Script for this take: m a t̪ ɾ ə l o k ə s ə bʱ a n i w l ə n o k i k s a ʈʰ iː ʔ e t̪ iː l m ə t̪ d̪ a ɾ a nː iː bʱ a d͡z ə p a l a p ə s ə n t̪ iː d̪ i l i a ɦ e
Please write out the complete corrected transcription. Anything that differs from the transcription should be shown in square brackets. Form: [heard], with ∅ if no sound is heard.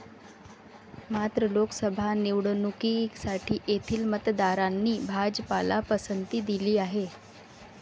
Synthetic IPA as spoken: m a t̪ ɾ ə l o k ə s ə bʱ a n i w [ɽ] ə n [u] k i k s a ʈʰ iː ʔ e [t̪ʰ] iː l m ə t̪ d̪ a ɾ a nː iː bʱ a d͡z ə p a l a p ə s ə n t̪ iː d̪ i l [iː] a ɦ e